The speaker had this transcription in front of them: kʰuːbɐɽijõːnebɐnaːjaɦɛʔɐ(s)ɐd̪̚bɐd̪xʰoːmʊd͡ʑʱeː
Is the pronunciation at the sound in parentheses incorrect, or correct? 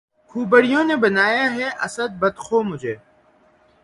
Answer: correct